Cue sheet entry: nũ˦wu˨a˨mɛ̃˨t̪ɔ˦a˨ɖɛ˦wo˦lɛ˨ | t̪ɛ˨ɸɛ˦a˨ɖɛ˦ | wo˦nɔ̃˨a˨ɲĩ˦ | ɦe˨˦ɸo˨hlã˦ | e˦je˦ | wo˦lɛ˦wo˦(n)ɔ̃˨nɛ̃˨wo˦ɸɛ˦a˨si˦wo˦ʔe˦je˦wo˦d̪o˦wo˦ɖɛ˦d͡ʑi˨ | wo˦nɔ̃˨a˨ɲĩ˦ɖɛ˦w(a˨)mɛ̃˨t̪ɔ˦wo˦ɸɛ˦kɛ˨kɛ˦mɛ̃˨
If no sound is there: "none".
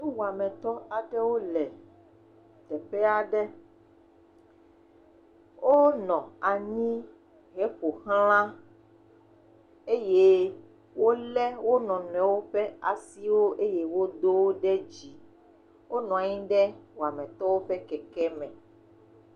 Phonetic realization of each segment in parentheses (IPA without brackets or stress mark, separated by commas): n, a˨